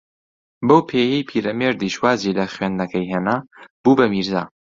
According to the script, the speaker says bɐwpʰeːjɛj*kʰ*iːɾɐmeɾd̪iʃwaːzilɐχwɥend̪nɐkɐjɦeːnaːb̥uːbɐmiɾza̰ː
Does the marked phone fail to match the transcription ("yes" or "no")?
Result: yes